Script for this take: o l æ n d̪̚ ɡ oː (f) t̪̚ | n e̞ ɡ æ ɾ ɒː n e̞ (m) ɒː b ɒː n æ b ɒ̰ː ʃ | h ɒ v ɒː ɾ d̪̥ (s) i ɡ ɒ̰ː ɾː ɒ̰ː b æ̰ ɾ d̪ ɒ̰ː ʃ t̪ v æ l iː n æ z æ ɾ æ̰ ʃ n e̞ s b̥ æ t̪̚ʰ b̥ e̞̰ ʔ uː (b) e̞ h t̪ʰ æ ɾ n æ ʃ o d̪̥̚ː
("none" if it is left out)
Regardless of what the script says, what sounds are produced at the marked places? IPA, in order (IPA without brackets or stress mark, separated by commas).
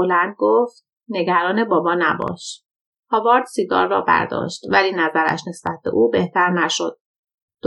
f, b, s, b